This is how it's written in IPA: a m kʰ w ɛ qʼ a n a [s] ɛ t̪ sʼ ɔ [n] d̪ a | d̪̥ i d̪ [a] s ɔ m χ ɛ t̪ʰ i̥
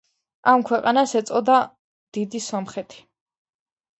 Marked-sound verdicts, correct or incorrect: correct, incorrect, incorrect

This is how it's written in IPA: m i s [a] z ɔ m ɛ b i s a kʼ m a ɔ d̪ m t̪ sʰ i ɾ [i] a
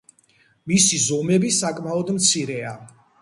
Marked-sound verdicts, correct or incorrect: incorrect, incorrect

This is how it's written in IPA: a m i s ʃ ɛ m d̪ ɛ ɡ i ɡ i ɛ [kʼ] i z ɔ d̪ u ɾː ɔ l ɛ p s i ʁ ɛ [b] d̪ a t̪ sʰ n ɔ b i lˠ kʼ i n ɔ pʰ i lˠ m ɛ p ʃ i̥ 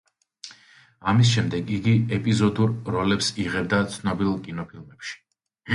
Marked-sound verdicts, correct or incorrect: incorrect, correct

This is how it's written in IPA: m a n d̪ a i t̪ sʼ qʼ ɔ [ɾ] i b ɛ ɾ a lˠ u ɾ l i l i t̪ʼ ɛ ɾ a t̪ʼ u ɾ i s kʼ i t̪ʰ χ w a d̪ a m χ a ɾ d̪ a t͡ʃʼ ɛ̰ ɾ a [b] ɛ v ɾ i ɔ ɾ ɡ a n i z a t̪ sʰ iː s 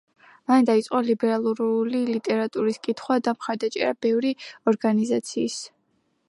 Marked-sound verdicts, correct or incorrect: incorrect, correct

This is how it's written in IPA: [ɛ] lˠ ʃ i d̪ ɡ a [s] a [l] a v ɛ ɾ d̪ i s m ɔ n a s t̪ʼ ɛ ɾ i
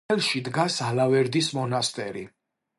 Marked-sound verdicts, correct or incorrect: correct, correct, correct

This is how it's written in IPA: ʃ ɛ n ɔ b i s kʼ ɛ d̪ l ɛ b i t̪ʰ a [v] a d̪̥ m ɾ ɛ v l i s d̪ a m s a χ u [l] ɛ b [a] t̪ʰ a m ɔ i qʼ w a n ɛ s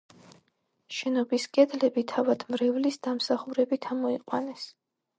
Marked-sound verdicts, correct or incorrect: correct, incorrect, incorrect

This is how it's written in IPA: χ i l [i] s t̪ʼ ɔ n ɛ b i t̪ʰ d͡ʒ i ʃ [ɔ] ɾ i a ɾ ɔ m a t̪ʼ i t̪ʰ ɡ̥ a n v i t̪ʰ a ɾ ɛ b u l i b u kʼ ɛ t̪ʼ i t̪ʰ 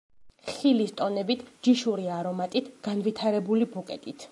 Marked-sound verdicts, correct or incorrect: correct, incorrect

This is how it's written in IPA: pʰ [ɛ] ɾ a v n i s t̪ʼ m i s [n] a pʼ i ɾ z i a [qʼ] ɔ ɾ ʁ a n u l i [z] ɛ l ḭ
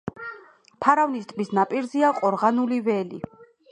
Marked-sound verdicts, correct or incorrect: incorrect, correct, correct, incorrect

